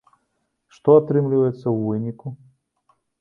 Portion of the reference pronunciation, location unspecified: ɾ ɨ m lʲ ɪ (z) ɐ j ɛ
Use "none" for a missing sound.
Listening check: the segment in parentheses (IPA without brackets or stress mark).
v